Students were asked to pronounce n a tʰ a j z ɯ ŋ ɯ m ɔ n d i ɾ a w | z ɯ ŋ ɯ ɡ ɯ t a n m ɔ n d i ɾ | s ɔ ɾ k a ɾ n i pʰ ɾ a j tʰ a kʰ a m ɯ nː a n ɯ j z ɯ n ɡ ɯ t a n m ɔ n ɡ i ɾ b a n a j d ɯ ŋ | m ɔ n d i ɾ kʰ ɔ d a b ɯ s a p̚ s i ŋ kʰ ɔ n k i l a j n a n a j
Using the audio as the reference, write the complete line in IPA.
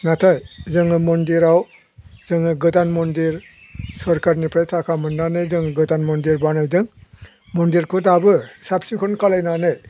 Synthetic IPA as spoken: n a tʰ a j z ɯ ŋ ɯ m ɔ n d i ɾ a w | z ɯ ŋ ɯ ɡ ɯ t a n m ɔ n d i ɾ | s ɔ ɾ k a ɾ n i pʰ ɾ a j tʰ a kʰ a m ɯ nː a n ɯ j z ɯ ŋ ɡ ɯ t a n m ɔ n d i ɾ b a n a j d ɯ ŋ | m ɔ n d i ɾ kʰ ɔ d a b ɯ s a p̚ s i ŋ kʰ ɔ n k a l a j n a n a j